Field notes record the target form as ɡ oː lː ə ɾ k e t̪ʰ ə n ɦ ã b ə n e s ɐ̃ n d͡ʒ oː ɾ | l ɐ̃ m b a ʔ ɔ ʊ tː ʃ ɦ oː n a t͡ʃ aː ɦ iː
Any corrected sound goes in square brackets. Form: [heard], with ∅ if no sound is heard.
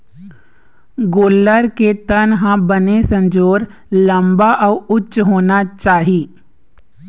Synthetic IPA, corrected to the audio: ɡ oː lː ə ɾ k e [t̪] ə n ɦ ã b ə n e s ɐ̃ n d͡ʒ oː ɾ | l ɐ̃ m b a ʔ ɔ ʊ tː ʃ ɦ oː n a t͡ʃ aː ɦ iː